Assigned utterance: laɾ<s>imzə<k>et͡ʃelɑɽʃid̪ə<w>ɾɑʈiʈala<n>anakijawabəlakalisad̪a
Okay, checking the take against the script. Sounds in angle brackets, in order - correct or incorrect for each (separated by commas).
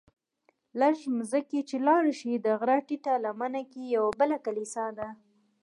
incorrect, correct, incorrect, incorrect